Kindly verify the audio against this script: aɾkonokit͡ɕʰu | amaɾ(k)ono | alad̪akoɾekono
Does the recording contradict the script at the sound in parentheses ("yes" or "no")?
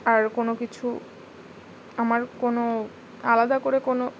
no